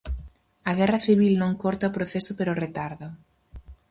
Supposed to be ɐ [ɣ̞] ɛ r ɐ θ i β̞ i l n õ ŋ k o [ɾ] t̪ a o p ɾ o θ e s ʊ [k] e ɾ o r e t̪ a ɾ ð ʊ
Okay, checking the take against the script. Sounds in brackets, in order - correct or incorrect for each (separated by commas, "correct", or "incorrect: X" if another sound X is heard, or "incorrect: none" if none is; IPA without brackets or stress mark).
correct, correct, incorrect: p